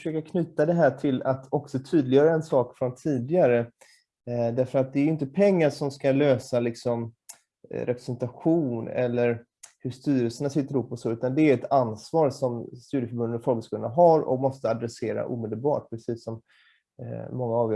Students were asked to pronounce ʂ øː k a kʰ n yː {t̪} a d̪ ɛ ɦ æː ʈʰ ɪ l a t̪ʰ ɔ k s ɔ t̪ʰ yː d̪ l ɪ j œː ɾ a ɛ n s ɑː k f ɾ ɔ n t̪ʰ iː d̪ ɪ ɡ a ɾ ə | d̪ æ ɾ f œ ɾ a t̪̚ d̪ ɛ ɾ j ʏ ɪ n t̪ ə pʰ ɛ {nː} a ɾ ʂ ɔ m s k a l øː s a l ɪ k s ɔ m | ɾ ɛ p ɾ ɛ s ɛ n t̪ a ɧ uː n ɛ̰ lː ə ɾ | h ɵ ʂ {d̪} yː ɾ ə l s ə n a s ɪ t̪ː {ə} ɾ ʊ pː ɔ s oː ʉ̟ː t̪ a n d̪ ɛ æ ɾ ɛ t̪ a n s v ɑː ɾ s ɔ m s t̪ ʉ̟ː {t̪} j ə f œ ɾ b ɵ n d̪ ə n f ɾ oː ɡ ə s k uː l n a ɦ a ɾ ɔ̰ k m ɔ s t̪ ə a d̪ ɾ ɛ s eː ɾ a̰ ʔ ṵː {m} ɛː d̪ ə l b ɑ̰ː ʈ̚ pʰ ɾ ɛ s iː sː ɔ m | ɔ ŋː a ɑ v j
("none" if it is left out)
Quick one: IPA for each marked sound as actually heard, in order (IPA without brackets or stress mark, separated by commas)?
t̪, ŋː, t̪, ə, d̪, m